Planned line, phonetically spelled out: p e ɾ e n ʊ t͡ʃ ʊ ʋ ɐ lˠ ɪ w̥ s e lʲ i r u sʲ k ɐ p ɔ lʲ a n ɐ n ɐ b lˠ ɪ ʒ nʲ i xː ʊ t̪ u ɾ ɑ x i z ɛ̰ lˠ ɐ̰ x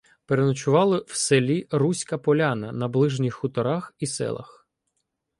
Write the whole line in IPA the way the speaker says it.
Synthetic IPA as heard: p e ɾ e n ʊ t͡ʃ ʊ ʋ ɑ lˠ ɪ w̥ s e lʲ i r u sʲ k ɐ p ɔ lʲ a n ɐ n ɐ b lˠ ɪ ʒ nʲ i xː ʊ t̪ ɔ ɾ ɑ x i s ɛ̰ lˠ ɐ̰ x